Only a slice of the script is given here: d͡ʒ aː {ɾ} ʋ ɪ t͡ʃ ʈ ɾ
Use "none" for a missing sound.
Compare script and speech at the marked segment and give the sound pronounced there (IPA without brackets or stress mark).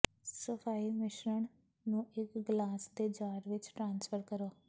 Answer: ɾ